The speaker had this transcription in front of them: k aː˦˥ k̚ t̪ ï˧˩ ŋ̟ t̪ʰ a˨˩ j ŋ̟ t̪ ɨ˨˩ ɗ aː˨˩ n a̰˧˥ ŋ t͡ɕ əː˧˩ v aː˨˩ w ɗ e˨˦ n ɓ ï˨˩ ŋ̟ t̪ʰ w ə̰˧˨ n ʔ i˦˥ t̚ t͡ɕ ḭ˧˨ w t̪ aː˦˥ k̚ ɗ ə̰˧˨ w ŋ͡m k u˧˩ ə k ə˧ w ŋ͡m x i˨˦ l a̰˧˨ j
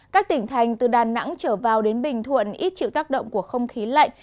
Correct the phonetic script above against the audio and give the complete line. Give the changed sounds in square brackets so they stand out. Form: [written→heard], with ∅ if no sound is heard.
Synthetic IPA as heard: k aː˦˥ k̚ t̪ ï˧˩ ŋ̟ t̪ʰ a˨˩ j ŋ̟ t̪ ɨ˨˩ ɗ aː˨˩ n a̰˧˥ ŋ t͡ɕ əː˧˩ v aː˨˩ w ɗ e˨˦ n ɓ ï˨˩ ŋ̟ t̪ʰ w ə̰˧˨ n ʔ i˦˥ t̚ t͡ɕ ḭ˧˨ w t̪ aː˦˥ k̚ ɗ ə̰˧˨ w ŋ͡m k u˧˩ ə [k→x] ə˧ w ŋ͡m x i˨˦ l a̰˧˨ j

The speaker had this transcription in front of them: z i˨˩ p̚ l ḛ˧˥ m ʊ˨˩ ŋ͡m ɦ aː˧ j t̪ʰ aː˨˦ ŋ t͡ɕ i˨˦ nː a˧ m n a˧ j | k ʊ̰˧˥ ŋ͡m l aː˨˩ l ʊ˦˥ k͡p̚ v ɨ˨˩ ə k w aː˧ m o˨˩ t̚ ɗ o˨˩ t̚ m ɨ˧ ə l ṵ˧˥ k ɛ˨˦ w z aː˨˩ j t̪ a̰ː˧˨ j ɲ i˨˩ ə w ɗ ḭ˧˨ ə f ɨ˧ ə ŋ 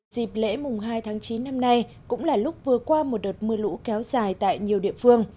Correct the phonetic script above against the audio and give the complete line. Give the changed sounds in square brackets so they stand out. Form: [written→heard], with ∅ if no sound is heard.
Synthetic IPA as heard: z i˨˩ p̚ l ḛ˧˥ m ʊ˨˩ ŋ͡m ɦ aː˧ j t̪ʰ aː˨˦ ŋ t͡ɕ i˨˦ nː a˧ m n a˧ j | k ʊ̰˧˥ ŋ͡m l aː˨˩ l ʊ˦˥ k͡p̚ v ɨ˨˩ ə k w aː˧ m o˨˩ t̚ ɗ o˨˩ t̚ m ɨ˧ ə l ṵ˧˥ k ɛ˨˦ w z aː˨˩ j t̪ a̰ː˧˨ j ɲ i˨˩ ə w ɗ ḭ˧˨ ə f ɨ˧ ə ŋ

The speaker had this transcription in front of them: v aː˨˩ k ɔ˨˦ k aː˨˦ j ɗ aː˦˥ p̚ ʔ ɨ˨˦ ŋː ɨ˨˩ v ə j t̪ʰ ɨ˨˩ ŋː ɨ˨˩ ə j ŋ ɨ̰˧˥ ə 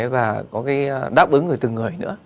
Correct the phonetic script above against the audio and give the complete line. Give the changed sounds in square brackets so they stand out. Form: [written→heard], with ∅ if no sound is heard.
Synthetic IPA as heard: v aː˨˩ k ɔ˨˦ k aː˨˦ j ɗ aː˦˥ p̚ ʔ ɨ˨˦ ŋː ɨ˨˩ [v→∅] ə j [t̪ʰ→t̪] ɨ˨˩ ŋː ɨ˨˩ ə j [ŋ→n] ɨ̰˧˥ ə

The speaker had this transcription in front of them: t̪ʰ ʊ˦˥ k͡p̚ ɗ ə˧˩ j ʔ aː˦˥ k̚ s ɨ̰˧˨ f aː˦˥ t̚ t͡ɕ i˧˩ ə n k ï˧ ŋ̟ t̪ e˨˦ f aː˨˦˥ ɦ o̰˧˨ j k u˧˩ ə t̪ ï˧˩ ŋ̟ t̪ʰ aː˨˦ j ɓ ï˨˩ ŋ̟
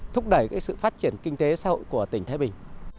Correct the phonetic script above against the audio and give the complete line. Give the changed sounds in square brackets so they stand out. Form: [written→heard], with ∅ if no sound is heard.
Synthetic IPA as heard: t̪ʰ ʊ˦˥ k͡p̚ ɗ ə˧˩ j [ʔ→k] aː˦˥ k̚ s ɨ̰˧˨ f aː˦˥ t̚ t͡ɕ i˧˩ ə n k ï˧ ŋ̟ t̪ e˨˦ [f→s] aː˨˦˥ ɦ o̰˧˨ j k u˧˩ ə t̪ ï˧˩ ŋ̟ t̪ʰ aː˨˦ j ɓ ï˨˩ ŋ̟

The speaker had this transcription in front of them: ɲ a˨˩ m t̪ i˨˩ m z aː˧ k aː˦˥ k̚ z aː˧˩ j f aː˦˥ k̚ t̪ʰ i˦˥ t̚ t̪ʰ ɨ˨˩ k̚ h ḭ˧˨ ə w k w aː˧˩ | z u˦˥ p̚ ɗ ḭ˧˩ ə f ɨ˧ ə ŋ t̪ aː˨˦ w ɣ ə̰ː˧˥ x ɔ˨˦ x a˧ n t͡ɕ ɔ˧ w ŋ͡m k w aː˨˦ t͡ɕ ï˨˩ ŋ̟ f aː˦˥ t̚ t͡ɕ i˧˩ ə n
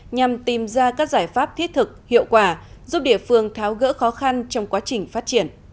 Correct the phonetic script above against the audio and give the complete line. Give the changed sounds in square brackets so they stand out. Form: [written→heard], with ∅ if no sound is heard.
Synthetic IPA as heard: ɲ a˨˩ m t̪ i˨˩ m z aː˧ k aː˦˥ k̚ z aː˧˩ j f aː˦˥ [k̚→p̚] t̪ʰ i˦˥ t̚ t̪ʰ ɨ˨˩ k̚ h ḭ˧˨ ə w k w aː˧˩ | z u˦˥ p̚ ɗ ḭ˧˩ ə f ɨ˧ ə ŋ [t̪→t̪ʰ] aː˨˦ w ɣ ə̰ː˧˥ x ɔ˨˦ x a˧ n t͡ɕ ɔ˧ w ŋ͡m k w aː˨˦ t͡ɕ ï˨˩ ŋ̟ f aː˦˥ t̚ t͡ɕ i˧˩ ə n

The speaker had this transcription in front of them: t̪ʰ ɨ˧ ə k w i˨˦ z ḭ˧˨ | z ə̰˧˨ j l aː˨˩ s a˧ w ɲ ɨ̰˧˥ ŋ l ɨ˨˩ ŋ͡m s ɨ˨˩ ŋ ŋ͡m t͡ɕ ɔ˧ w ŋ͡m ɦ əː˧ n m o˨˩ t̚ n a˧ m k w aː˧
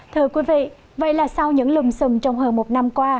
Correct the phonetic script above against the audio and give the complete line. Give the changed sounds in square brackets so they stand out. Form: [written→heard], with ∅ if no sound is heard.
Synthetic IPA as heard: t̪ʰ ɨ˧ ə k w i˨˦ [z→v] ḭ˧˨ | [z→v] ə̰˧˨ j l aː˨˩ s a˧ w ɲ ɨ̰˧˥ ŋ l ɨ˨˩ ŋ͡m s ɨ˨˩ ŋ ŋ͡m t͡ɕ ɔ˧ w ŋ͡m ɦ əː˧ n m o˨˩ t̚ n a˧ m k w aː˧

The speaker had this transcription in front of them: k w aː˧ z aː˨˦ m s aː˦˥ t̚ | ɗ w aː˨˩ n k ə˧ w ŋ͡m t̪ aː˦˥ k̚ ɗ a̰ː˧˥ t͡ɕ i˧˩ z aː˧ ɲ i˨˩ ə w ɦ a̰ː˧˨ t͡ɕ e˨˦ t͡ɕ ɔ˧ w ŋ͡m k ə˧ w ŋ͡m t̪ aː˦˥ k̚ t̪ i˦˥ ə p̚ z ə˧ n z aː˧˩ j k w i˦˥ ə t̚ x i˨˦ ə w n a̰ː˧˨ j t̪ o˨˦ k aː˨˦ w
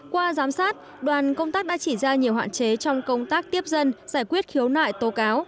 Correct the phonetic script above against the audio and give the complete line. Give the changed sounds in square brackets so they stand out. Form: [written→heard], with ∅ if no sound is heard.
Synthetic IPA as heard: k w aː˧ z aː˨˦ m s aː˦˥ t̚ | ɗ w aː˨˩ n k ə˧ w ŋ͡m t̪ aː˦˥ k̚ ɗ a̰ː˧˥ t͡ɕ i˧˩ z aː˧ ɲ i˨˩ ə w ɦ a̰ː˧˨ t͡ɕ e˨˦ t͡ɕ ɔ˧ w ŋ͡m k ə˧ w ŋ͡m t̪ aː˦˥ k̚ t̪ i˦˥ ə p̚ z ə˧ n z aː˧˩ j k w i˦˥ ə t̚ x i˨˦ ə w n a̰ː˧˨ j t̪ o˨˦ k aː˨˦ w

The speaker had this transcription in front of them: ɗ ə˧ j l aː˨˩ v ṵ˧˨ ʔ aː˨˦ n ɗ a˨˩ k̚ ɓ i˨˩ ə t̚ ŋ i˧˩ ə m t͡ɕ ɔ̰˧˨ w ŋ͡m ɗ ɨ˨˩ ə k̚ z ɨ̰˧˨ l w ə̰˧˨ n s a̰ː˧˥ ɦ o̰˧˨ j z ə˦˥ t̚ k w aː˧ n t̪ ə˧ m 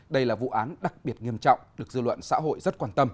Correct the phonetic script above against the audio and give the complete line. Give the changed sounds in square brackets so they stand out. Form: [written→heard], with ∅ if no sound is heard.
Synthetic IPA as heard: ɗ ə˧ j l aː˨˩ v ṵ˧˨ ʔ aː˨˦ n ɗ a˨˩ k̚ ɓ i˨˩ ə t̚ ŋ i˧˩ ə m t͡ɕ ɔ̰˧˨ w ŋ͡m ɗ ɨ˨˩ ə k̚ z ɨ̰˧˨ l w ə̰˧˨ n s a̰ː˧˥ ɦ o̰˧˨ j z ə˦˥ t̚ k w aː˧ n t̪ ə˧ m

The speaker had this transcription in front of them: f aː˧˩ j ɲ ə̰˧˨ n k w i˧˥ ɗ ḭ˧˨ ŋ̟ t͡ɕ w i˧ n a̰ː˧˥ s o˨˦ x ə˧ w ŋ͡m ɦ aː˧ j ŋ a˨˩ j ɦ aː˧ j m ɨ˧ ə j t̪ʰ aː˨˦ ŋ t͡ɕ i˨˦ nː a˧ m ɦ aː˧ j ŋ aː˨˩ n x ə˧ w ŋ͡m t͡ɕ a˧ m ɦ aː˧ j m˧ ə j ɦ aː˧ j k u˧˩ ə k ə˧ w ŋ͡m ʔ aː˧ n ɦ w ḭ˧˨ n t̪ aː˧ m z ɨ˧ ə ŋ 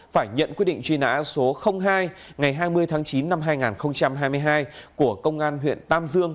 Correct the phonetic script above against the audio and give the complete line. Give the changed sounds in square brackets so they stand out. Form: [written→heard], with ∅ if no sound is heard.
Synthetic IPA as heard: f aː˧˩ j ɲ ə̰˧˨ n k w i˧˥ ɗ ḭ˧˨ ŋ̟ t͡ɕ w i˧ n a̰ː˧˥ s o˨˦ x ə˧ w ŋ͡m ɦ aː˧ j ŋ a˨˩ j ɦ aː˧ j m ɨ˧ ə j t̪ʰ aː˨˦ ŋ t͡ɕ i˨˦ nː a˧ m ɦ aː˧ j ŋ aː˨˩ n x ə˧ w ŋ͡m t͡ɕ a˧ m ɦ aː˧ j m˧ ə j ɦ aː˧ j k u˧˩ ə k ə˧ w ŋ͡m ʔ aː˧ n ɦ w ḭ˧˨ n t̪ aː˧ m z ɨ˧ ə ŋ

